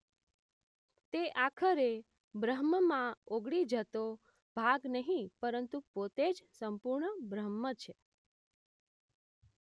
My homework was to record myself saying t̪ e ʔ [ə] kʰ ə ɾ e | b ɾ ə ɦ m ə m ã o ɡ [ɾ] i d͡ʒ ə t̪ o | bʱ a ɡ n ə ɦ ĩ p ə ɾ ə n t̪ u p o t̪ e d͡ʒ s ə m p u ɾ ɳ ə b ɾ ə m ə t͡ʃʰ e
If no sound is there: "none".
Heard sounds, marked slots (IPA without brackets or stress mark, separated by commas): a, ɽ